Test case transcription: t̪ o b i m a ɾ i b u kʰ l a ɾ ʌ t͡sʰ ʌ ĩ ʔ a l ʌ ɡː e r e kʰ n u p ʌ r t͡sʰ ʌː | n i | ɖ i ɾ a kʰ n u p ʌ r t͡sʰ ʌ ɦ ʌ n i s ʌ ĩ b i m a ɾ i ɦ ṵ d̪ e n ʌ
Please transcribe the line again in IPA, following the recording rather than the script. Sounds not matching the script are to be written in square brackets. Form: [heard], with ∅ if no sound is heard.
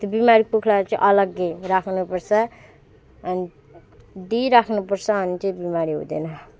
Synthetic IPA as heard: t̪ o b i m a ɾ i [p] u kʰ l a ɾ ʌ [t͡s] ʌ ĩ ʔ [ʌ] l ʌ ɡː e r [a] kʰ n u p ʌ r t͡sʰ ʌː | n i | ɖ i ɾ a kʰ n u p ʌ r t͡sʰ ʌ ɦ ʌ n i [t͡s] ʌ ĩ b i m a ɾ i ɦ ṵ d̪ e n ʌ